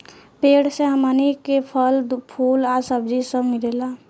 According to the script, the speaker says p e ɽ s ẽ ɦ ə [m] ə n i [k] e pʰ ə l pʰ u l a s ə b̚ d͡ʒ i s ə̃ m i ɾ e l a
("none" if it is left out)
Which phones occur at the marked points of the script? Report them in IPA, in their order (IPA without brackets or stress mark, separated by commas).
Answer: m, k